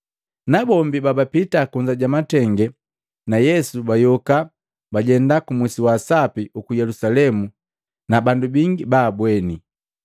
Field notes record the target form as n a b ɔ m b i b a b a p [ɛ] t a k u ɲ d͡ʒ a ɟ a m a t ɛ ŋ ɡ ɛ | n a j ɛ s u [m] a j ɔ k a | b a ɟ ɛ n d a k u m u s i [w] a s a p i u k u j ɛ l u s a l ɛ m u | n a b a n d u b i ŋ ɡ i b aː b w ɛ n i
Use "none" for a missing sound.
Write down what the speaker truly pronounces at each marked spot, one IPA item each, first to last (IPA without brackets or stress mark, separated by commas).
i, b, w